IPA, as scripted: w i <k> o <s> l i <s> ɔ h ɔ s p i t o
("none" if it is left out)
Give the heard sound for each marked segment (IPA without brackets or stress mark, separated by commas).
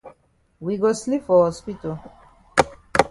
ɡ, s, f